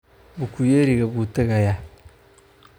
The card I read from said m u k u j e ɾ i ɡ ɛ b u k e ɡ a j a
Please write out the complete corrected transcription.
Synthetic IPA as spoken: b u k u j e ɾ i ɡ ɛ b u t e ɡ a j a